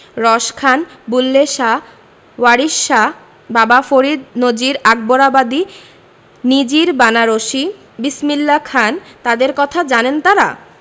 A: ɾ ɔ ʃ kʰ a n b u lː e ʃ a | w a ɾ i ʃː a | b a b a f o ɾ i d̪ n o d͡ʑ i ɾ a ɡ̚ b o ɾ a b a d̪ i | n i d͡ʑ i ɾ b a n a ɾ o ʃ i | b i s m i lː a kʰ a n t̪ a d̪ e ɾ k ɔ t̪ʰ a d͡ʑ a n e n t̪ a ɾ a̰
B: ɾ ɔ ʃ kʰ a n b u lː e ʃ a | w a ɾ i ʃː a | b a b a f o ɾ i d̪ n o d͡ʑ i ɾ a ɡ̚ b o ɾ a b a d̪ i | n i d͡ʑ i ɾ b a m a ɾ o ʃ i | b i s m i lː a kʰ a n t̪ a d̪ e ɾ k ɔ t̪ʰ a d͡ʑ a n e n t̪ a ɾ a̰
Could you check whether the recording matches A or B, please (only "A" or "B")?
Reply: A